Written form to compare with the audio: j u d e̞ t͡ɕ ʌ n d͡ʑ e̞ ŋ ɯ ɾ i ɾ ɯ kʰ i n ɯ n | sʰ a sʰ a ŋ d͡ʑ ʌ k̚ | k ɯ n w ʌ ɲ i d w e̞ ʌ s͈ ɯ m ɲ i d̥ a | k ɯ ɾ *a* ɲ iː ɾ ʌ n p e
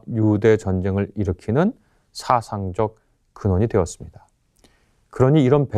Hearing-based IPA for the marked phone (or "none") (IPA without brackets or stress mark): ʌ